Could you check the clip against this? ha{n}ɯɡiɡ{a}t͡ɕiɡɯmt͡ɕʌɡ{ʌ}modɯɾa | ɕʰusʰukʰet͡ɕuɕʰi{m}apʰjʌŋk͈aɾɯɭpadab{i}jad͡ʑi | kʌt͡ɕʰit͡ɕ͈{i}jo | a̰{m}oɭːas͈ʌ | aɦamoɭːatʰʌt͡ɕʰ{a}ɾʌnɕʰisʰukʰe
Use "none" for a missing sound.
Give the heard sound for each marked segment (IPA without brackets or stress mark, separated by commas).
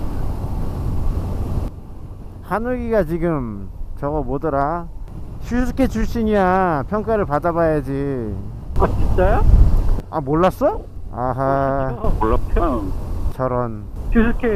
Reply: n, a, ʌ, ɲ, a, a, m, ʌ